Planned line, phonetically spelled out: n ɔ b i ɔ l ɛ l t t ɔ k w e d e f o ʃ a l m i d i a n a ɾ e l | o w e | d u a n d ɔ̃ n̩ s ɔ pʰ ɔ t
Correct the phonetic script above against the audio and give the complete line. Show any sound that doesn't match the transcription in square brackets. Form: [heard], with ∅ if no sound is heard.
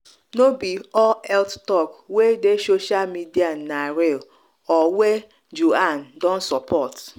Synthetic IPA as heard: n [o] b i ɔ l ɛ l t t ɔ k w e d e [s] o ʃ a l m i d i a n a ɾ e l | [ɔ] w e | [d͡ʒ] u a n d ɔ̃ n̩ s ɔ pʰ ɔ t